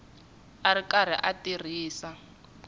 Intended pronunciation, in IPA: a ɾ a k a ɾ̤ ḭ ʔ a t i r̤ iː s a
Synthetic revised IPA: a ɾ i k a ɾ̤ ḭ ʔ a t i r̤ iː s a